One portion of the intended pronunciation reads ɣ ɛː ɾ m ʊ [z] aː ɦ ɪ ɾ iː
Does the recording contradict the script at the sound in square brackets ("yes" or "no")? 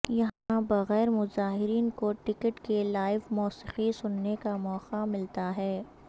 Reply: no